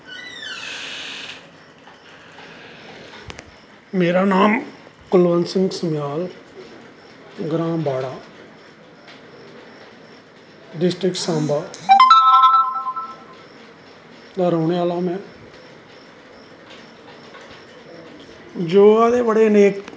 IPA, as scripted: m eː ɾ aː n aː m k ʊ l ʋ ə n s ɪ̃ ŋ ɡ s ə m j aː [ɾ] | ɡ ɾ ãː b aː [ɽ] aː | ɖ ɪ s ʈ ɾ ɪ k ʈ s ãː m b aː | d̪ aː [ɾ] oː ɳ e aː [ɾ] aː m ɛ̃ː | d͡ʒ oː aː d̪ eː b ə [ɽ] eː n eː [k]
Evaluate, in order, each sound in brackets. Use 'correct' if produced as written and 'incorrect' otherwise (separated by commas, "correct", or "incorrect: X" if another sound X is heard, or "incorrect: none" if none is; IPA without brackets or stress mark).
incorrect: l, correct, correct, incorrect: l, correct, correct